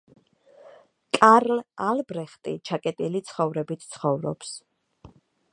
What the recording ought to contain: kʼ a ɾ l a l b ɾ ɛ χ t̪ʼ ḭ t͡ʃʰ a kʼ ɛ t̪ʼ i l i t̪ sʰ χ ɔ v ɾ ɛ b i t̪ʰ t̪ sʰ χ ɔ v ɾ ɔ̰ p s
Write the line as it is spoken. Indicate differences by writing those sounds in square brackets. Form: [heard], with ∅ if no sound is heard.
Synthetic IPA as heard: kʼ a ɾ l a l b ɾ ɛ χ t̪ʼ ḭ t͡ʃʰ a kʼ ɛ t̪ʼ i l i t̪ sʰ χ ɔ v ɾ ɛ b i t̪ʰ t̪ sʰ χ ɔ v ɾ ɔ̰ p s

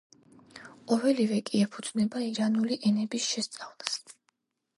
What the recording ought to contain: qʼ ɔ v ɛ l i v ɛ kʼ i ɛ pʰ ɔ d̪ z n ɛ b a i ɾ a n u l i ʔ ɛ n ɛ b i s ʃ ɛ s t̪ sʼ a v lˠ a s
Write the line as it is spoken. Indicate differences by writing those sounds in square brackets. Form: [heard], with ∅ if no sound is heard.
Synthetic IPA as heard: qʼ ɔ v ɛ l i v ɛ kʼ i ɛ pʰ [u] d̪ z n ɛ b a i ɾ a n u l i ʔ ɛ n ɛ b i s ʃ ɛ s t̪ sʼ a v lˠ a s

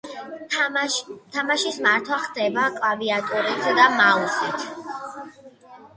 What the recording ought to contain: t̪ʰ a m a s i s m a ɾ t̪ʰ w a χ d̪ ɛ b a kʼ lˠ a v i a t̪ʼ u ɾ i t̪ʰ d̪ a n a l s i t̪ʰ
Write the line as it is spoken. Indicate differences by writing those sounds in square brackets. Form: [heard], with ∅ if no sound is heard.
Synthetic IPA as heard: t̪ʰ a m a [ʃ] i s m a ɾ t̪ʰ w a χ d̪ ɛ b a kʼ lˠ a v i a t̪ʼ u ɾ i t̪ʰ d̪ a [m] a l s i t̪ʰ

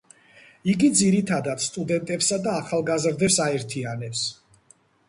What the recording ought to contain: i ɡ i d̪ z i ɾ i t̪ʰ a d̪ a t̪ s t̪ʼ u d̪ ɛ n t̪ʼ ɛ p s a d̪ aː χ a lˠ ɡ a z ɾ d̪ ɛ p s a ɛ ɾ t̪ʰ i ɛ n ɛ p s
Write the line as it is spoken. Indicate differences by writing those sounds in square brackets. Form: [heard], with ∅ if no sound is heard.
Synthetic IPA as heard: i ɡ i d̪ z i ɾ i t̪ʰ a d̪ a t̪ s t̪ʼ u d̪ ɛ n t̪ʼ ɛ p s a d̪ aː χ a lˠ ɡ a z ɾ d̪ ɛ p s a ɛ ɾ t̪ʰ i [a] n ɛ p s

